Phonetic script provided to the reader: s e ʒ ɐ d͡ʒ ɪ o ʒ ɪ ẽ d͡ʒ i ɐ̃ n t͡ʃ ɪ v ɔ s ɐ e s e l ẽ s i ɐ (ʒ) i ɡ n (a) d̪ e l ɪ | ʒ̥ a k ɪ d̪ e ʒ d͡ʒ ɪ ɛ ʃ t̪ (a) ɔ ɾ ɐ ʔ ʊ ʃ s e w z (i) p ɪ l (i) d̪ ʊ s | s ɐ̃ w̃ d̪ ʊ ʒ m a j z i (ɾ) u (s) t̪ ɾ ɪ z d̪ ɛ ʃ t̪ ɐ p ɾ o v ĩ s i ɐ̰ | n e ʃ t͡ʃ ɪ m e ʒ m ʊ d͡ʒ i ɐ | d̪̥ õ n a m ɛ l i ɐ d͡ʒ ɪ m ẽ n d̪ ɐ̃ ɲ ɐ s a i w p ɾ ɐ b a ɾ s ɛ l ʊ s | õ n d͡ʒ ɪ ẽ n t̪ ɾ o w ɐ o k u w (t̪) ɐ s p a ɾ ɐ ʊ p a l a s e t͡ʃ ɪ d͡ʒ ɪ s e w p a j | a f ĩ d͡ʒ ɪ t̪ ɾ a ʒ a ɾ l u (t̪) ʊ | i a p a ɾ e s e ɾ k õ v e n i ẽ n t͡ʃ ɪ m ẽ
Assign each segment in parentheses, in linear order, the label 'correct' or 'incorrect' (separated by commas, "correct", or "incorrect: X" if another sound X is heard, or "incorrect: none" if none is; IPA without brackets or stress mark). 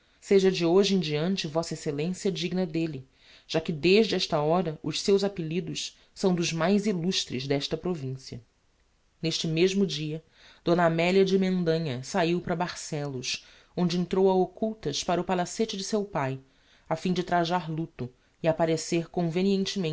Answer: incorrect: d͡ʒ, incorrect: ɐ, incorrect: ɐ, incorrect: a, correct, incorrect: l, incorrect: ʃ, correct, correct